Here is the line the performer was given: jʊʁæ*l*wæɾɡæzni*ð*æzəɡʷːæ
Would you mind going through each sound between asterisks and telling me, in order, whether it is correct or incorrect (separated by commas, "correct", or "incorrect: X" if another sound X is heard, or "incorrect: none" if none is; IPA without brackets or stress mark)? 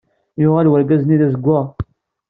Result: correct, correct